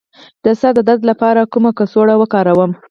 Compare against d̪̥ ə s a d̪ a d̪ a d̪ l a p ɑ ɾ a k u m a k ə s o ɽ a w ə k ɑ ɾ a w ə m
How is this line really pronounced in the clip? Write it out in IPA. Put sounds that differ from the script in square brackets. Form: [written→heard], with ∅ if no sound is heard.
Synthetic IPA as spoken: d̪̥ ə s a d̪ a d̪ a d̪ l a p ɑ ɾ a k u m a k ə s o ɽ a w ə k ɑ ɾ a w ə m